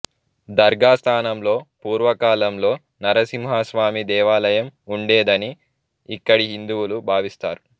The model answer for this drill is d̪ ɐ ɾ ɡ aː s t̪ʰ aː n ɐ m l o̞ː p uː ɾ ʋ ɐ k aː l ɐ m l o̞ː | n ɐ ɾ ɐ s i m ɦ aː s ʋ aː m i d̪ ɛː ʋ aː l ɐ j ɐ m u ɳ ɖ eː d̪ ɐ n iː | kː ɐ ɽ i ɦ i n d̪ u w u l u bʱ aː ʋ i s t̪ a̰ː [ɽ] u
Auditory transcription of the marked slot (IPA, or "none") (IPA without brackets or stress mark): ɾ